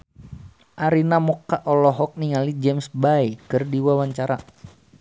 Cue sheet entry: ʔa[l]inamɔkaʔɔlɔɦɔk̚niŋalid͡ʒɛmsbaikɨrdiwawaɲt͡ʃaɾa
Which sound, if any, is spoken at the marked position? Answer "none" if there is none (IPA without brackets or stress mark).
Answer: ɾ